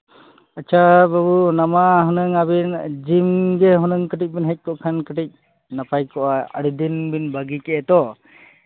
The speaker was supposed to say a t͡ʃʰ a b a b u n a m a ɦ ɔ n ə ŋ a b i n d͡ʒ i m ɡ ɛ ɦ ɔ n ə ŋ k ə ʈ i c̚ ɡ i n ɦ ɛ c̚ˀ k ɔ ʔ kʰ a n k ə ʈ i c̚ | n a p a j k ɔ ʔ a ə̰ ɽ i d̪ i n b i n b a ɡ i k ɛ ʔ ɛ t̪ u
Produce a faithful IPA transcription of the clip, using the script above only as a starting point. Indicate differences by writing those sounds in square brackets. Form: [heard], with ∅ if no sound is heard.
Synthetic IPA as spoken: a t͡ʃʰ a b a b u n a m a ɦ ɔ n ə ŋ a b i n d͡ʒ i m ɡ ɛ ɦ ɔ n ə ŋ k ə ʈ i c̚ [b] i n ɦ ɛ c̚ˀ k ɔ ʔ kʰ a n k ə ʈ i c̚ | n a p a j k ɔ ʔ a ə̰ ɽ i d̪ i n b i n b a ɡ i k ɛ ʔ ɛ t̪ [ɔ]

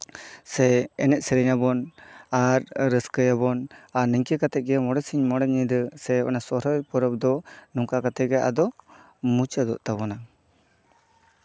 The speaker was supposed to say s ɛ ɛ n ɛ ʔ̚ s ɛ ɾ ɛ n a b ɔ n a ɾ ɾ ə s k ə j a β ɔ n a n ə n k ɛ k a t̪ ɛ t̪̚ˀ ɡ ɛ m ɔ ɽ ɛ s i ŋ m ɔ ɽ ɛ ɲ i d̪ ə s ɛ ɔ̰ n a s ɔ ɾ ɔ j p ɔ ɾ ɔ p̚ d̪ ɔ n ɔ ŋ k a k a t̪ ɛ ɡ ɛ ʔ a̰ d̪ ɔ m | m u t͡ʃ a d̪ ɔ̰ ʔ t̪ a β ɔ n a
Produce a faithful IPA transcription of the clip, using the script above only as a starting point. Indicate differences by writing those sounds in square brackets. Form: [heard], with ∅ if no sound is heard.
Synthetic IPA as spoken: s ɛ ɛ n ɛ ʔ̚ s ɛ ɾ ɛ [ɲ] a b ɔ n a ɾ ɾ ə s k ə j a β ɔ n a n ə [ɲ] k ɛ k a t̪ ɛ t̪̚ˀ ɡ ɛ m ɔ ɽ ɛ s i [ɲ] m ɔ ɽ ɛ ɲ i d̪ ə s ɛ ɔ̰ n a s ɔ ɾ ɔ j p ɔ ɾ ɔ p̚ d̪ ɔ n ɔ ŋ k a k a t̪ ɛ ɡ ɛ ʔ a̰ d̪ ɔ [∅] | m u t͡ʃ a d̪ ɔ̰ ʔ t̪ a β ɔ n a

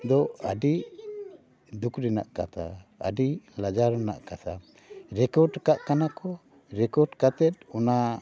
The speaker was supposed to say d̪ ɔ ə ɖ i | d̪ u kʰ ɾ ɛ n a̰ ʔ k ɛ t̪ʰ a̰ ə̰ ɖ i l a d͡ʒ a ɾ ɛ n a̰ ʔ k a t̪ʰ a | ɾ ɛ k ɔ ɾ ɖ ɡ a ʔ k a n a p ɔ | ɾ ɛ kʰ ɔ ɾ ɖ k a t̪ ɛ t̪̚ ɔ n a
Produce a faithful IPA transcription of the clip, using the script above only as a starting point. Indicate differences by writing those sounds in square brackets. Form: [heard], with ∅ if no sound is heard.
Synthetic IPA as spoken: d̪ ɔ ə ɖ i | d̪ u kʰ ɾ ɛ n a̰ ʔ k [a] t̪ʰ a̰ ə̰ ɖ i l a d͡ʒ a ɾ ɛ n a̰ ʔ k a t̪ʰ a | ɾ ɛ k ɔ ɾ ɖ [k] a ʔ k a n a [k] ɔ | ɾ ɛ [k] ɔ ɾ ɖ k a t̪ ɛ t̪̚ ɔ n a

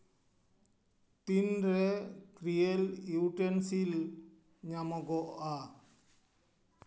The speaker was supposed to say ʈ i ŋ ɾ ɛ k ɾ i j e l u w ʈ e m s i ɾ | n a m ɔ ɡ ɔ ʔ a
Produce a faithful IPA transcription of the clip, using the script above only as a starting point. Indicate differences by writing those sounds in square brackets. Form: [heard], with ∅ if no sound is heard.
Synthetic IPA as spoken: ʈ i [n] ɾ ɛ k ɾ i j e l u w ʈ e [n] s i [l] | [ɲ] a m ɔ ɡ ɔ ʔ a

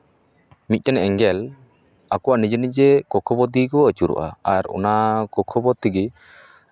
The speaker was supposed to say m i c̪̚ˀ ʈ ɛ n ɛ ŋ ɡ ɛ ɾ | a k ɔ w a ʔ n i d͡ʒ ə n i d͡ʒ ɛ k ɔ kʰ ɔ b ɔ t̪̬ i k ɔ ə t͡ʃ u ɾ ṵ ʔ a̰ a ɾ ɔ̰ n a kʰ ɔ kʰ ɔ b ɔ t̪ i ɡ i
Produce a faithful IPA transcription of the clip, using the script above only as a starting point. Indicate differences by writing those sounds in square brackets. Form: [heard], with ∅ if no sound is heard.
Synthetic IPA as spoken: m i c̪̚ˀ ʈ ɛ n ɛ ŋ ɡ ɛ [l] | a k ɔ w a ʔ n i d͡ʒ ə n i d͡ʒ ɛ k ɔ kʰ ɔ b ɔ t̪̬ i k ɔ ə t͡ʃ u ɾ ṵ ʔ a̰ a ɾ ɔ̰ n a [k] ɔ kʰ ɔ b ɔ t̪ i ɡ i

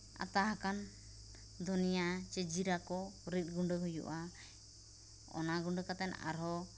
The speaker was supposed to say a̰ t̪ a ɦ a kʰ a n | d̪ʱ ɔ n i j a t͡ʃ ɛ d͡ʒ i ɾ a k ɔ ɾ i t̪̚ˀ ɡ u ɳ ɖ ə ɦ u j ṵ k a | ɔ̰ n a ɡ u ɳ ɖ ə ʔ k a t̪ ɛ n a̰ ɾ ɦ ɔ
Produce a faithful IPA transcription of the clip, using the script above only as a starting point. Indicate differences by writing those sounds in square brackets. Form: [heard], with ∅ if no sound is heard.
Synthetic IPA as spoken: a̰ t̪ a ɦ a [k] a n | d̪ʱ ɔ n i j a t͡ʃ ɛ d͡ʒ i ɾ a k ɔ ɾ i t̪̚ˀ ɡ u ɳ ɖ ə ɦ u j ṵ [ʔ] a | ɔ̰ n a ɡ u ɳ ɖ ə [∅] k a t̪ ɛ n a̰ ɾ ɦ ɔ

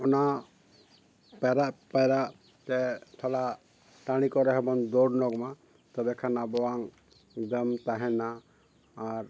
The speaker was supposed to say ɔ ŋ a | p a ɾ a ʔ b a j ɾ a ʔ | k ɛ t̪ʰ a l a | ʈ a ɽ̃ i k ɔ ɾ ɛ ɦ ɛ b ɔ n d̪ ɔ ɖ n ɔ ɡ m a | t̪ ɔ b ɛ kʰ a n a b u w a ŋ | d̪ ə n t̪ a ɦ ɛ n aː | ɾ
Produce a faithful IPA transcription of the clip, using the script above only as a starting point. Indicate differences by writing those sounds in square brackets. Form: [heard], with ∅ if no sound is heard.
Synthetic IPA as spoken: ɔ [n] a | p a ɾ a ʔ [p] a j ɾ a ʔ | k ɛ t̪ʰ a l a | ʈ a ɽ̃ i k ɔ ɾ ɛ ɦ ɛ b ɔ n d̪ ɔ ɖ n ɔ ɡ m a | t̪ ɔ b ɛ kʰ a n a b [ɔ] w a ŋ | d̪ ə [m] t̪ a ɦ ɛ n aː | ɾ

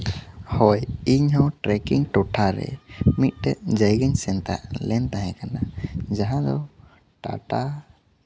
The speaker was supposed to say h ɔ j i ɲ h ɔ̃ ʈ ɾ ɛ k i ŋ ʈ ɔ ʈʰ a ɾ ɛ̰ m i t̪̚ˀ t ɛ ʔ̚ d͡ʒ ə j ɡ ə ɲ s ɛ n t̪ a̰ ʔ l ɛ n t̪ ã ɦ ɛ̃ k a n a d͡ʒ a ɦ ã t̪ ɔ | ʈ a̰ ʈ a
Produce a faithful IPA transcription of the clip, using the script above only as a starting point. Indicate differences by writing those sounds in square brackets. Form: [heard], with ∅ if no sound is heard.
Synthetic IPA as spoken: h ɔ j i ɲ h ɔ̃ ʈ ɾ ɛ k i ŋ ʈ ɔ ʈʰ a ɾ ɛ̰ m i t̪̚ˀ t ɛ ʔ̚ d͡ʒ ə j ɡ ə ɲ s ɛ n t̪ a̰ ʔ l ɛ n t̪ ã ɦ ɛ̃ k a n a d͡ʒ a ɦ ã [d̪] ɔ | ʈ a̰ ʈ a

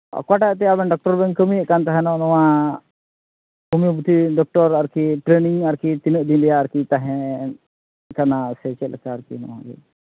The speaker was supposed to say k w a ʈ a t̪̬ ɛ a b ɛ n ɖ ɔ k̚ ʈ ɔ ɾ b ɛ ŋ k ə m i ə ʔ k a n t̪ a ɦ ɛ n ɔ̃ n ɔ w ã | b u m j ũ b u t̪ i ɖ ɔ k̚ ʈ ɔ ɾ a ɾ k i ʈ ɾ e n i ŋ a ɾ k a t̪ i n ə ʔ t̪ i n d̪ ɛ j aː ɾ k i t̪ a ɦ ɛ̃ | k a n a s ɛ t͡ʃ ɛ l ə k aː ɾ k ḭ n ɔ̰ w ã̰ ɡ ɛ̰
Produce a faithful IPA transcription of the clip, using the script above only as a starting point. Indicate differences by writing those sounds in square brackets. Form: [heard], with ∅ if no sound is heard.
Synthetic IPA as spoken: k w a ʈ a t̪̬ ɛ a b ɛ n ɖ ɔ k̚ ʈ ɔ ɾ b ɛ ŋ k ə m i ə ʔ k a n t̪ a ɦ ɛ n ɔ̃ n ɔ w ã | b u m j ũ b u t̪ i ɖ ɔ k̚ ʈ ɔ ɾ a ɾ k i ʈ ɾ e n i ŋ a ɾ k [i] t̪ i n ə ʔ [d̪] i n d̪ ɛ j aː ɾ k i t̪ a ɦ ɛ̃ | k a n a s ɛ t͡ʃ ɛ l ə k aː ɾ k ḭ n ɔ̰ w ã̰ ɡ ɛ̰

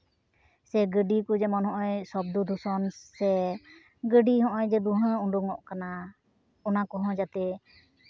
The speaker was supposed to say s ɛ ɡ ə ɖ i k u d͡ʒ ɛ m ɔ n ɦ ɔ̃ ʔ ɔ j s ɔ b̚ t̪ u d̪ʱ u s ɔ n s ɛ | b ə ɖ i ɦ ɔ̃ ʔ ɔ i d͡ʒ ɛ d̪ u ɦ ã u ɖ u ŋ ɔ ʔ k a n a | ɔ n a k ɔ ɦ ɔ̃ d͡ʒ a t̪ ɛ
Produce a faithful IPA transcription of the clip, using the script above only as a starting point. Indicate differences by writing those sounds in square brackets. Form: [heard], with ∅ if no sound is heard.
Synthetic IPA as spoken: s ɛ ɡ ə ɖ i k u d͡ʒ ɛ m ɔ n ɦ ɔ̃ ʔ ɔ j s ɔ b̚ [d̪] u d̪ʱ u s ɔ n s ɛ | [ɡ] ə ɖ i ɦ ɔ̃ ʔ ɔ [j] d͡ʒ ɛ d̪ u ɦ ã u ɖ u ŋ ɔ ʔ k a n a | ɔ n a k ɔ ɦ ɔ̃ d͡ʒ a t̪ ɛ

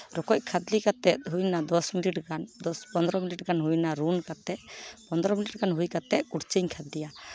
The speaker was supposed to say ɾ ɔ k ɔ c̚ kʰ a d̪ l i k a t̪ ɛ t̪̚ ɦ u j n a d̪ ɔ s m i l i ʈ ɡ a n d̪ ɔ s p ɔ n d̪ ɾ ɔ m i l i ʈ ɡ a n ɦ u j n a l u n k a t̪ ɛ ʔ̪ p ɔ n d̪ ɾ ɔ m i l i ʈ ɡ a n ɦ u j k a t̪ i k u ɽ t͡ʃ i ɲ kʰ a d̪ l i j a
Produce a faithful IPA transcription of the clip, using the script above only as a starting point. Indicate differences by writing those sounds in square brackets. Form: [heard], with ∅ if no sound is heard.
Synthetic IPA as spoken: ɾ ɔ k ɔ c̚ kʰ a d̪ l i k a t̪ ɛ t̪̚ ɦ u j n a d̪ ɔ s m i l i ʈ ɡ a n d̪ ɔ s p ɔ n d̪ ɾ ɔ m i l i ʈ ɡ a n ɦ u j n a [ɾ] u n k a t̪ ɛ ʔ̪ p ɔ n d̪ ɾ ɔ m i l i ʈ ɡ a n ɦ u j k a t̪ [ɛ] k u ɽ t͡ʃ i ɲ kʰ a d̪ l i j a

